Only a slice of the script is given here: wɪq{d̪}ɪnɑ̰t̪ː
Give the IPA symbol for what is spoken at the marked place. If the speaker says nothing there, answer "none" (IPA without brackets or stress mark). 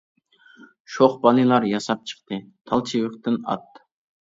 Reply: t̪